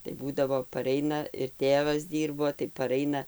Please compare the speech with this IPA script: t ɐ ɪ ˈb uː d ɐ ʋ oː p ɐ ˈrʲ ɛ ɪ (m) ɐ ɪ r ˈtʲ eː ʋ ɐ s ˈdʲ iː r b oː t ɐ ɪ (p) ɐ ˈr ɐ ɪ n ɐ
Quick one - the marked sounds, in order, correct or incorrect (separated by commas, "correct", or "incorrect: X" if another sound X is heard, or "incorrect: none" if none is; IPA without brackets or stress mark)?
incorrect: n, correct